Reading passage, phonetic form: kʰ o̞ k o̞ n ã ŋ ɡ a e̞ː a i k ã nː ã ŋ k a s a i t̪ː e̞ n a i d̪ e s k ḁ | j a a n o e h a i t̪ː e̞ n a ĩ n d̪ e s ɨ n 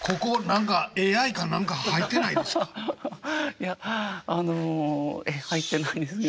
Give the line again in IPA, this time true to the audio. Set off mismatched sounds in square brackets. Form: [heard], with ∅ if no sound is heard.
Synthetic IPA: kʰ o̞ k o̞ n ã ŋ [k] a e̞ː a i k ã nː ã ŋ k a [h] a i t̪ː e̞ n a i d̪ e s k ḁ | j a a n o e h a i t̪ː e̞ n a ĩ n d̪ e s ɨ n